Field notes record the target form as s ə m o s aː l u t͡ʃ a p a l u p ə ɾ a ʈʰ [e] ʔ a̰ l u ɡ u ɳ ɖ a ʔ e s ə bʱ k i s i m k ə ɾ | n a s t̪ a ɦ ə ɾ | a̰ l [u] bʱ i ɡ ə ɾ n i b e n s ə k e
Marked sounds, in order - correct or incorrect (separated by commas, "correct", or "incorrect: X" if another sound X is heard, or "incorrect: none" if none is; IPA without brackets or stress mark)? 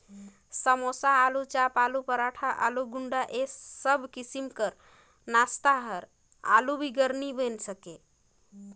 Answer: incorrect: a, correct